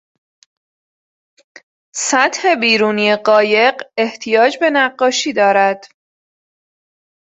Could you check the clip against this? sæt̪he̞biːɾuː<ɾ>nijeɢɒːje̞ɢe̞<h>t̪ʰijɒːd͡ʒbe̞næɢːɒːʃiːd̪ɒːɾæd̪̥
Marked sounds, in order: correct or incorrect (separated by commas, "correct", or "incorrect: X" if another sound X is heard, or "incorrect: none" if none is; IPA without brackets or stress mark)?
incorrect: none, correct